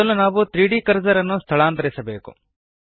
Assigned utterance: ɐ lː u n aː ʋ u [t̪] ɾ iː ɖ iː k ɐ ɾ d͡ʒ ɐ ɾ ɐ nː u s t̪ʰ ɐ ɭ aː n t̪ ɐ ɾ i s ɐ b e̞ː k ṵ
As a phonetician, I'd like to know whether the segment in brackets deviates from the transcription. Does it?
no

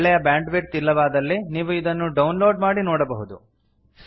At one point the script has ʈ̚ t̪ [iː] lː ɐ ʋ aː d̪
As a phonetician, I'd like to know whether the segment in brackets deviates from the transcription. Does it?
yes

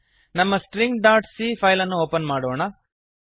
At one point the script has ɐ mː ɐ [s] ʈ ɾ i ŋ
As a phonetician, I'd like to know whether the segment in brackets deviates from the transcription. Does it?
no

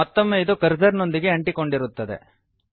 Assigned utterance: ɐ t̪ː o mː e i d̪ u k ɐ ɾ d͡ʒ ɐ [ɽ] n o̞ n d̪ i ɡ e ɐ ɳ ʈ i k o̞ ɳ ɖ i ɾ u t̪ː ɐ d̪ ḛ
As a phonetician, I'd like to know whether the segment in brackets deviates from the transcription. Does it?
yes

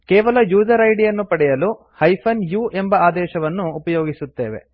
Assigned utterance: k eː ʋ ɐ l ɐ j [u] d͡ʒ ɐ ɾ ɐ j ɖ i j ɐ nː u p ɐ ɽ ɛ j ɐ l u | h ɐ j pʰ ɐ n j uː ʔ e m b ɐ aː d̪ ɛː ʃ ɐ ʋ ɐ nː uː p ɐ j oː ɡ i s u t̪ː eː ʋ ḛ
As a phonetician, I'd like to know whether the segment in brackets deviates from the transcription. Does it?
yes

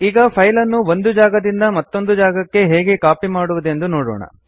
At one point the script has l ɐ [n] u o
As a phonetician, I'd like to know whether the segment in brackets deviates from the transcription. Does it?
yes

